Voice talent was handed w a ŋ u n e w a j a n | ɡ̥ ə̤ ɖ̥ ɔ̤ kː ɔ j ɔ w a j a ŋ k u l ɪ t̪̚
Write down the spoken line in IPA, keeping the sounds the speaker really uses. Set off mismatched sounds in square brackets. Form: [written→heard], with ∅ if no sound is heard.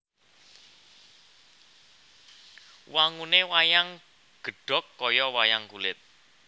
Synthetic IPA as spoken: w a ŋ u n e w a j a [n→ŋ] | ɡ̥ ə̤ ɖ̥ ɔ̤ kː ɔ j ɔ w a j a ŋ k u l ɪ t̪̚